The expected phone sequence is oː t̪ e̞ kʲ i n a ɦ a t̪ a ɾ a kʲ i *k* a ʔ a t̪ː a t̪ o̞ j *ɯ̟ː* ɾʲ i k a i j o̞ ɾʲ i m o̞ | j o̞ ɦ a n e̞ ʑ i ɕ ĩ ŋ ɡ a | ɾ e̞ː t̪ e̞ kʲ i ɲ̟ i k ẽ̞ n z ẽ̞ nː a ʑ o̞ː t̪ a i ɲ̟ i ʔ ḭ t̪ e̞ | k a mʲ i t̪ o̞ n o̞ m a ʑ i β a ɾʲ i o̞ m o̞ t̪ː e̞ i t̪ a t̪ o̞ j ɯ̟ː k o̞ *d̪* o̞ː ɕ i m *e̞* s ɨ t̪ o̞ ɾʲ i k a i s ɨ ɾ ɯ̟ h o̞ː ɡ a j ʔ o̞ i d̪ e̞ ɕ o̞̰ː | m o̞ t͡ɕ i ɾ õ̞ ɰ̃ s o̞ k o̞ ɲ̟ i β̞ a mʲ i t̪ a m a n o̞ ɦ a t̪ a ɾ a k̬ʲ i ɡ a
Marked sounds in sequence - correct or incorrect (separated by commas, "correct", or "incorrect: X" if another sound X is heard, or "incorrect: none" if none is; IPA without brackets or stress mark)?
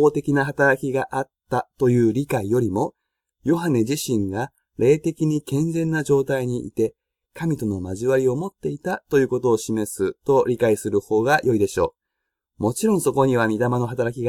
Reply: incorrect: ɡ, correct, incorrect: t̪, correct